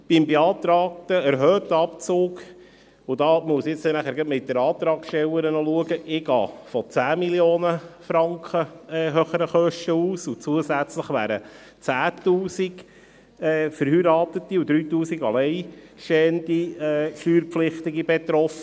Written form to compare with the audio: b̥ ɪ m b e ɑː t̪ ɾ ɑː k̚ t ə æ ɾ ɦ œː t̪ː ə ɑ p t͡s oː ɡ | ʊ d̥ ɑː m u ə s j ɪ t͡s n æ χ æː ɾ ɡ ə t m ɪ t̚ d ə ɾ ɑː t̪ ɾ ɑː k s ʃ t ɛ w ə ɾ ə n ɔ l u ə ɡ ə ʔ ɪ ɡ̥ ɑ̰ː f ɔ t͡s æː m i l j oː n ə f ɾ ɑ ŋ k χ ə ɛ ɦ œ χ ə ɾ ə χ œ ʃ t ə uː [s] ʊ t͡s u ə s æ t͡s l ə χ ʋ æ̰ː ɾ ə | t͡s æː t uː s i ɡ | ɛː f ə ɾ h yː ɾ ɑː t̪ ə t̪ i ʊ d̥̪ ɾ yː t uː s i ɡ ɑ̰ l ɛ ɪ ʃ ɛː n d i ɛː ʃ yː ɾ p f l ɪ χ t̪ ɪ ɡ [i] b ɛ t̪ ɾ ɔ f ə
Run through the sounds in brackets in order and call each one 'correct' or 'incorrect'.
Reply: correct, correct

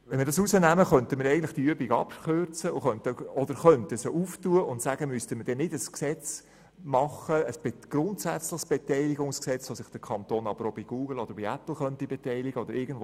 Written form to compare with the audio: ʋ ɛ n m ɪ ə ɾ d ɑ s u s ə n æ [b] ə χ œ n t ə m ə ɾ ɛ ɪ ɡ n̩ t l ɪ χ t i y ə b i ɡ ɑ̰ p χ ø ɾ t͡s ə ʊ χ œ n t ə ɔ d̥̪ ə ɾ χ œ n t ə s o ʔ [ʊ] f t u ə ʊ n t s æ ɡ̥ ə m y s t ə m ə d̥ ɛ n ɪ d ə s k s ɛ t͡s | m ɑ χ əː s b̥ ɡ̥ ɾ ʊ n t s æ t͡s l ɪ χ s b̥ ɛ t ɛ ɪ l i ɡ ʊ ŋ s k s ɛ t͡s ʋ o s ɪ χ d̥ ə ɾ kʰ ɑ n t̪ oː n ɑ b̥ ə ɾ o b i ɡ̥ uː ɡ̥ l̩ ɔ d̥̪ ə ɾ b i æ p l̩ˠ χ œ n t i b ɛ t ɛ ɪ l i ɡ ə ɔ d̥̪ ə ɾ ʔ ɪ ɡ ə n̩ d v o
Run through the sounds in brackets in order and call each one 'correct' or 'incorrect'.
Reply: incorrect: m, incorrect: u

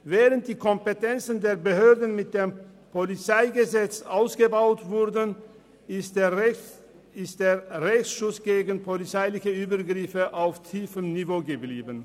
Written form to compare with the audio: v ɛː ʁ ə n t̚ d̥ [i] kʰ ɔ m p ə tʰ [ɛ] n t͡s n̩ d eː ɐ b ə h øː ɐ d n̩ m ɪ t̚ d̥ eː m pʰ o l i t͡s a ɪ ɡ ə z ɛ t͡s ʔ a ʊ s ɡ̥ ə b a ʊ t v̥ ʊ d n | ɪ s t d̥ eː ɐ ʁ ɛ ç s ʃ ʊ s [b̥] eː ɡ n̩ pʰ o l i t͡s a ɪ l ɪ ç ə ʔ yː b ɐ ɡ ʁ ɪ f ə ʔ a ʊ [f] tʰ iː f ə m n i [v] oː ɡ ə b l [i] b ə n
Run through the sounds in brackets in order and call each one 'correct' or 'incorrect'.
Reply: incorrect: iː, correct, incorrect: ɡ̥, correct, correct, incorrect: iː

